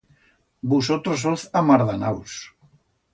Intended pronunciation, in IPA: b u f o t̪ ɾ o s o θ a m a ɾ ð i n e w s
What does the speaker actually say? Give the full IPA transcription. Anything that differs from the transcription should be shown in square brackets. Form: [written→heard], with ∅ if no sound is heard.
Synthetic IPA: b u [f→s] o t̪ ɾ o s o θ a m a ɾ ð [i→a] n [e→a] w s